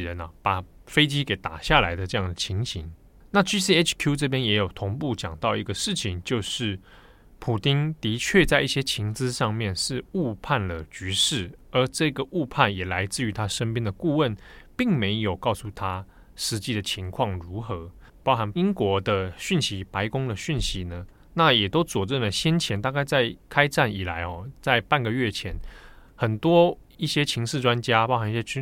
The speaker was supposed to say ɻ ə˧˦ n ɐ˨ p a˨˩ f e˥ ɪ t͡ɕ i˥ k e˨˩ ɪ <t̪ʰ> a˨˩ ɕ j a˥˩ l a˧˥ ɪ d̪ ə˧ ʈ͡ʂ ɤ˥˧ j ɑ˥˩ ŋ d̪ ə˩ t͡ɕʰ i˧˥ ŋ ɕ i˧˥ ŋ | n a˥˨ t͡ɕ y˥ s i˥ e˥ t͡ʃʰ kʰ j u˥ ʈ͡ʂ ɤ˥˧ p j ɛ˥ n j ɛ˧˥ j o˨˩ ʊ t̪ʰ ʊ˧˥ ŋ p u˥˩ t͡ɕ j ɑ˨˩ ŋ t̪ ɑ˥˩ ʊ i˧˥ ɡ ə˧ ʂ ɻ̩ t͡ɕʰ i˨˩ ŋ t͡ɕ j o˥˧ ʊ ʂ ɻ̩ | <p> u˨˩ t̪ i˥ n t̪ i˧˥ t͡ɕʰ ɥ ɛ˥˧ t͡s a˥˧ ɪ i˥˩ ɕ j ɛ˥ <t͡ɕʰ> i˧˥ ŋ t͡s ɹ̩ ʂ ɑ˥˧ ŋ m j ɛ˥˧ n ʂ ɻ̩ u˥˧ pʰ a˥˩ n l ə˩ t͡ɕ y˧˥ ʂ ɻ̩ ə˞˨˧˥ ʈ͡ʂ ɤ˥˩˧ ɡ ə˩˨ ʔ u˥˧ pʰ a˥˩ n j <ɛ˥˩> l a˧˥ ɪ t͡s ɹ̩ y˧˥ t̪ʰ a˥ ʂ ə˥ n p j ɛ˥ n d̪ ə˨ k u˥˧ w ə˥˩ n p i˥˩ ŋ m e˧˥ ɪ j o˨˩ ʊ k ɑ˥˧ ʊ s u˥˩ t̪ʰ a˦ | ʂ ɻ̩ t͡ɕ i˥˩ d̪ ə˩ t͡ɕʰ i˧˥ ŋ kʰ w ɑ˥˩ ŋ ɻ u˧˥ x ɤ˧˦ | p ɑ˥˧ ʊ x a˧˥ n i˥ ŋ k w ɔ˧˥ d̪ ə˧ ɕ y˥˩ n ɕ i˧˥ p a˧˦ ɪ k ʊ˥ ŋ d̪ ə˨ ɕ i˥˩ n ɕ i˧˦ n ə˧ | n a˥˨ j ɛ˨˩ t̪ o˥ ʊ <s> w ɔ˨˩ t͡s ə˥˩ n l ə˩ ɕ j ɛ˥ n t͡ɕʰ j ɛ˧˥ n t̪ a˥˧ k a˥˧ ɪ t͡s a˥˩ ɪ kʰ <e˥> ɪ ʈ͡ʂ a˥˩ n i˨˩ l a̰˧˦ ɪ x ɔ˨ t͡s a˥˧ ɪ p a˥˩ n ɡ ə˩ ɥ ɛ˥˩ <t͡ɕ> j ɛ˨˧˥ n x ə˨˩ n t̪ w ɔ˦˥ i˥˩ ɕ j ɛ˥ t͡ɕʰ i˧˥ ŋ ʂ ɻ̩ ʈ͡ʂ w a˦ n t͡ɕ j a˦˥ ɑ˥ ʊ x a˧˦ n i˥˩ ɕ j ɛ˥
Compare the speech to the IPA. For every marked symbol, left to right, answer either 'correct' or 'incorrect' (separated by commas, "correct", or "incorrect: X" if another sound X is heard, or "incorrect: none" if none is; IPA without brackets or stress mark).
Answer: incorrect: t̪, incorrect: pʰ, correct, incorrect: ɛ˨˩, incorrect: t͡s, incorrect: a˥, incorrect: t͡ɕʰ